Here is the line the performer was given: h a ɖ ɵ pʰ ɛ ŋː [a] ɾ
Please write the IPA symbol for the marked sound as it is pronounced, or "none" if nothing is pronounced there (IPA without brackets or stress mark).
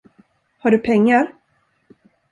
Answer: a